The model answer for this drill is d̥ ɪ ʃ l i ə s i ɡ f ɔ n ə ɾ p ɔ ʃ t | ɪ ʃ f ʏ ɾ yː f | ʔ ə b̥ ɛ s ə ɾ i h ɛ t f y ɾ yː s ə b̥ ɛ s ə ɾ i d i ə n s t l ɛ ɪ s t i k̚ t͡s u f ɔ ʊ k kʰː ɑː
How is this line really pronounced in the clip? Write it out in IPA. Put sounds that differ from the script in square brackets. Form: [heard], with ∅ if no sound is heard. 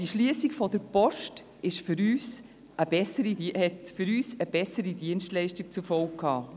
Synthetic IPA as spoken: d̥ [i] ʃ l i ə s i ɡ f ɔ [d] ə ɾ p ɔ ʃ t | ɪ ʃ f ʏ ɾ yː [s] | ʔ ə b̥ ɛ s ə ɾ i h ɛ t f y ɾ yː s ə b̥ ɛ s ə ɾ i d i ə n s t l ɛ ɪ [ʃ] t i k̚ t͡s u f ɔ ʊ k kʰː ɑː